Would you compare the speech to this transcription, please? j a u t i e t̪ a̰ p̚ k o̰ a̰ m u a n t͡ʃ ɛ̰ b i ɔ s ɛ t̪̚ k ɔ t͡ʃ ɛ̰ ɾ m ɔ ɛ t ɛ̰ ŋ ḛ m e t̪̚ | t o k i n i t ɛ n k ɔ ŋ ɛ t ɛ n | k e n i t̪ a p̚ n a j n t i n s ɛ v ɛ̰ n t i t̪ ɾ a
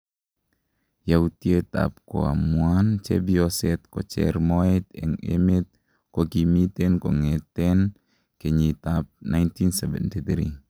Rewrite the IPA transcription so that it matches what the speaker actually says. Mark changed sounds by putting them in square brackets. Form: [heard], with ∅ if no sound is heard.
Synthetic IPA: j a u t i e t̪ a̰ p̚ k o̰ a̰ m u a n t͡ʃ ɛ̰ b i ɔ s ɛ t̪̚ k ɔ t͡ʃ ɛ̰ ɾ m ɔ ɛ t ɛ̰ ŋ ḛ m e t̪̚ | [k] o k i [m] i t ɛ n k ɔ ŋ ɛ t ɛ n | k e [ɲ] i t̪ a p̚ n a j n t i n s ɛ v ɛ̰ n t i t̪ ɾ [i]